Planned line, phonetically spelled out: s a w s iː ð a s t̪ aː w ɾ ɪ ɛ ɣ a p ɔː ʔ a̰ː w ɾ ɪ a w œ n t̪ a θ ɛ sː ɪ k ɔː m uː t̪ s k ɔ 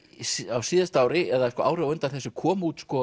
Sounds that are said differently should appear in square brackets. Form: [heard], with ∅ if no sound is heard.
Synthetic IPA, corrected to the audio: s a w s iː ð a s t̪ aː w ɾ ɪ ɛ [ð] a [k] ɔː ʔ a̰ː w ɾ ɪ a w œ n t̪ a θ ɛ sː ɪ [kʰ] ɔː m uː t̪ s k ɔ

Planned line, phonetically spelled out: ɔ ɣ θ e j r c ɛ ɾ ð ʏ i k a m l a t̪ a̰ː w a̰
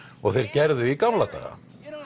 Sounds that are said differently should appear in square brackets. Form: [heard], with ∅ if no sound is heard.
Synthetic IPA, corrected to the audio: ɔ ɣ θ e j [ɾ] c ɛ ɾ ð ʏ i k a m l a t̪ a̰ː [ɣ] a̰

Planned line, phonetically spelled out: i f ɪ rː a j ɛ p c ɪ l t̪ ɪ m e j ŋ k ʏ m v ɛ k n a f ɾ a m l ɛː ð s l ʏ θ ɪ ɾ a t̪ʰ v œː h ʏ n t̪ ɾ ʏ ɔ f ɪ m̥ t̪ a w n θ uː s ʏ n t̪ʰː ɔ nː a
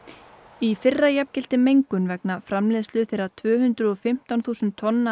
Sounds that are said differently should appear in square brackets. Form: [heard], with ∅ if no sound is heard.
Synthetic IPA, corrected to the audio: i f ɪ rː a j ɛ p c ɪ l t̪ ɪ m e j ŋ k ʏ [n] v ɛ k n a f ɾ a m l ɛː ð s l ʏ θ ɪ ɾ a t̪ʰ v œː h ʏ n t̪ ɾ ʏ ɔ f ɪ m̥ t̪ a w n θ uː s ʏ n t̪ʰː ɔ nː a

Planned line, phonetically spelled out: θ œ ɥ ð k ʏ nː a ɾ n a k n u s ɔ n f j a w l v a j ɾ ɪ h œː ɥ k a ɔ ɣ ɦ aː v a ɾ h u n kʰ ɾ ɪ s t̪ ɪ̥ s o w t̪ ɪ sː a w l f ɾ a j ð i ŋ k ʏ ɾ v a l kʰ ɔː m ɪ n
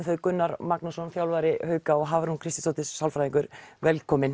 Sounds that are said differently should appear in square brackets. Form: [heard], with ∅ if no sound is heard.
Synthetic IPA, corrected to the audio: θ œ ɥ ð k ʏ nː a ɾ [m] a k n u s ɔ n f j a w l v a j ɾ ɪ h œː ɥ k a ɔ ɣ ɦ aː v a ɾ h u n kʰ ɾ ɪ s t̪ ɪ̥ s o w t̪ ɪ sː a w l f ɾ a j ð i ŋ k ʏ ɾ v [ɛ] l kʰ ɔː m ɪ n

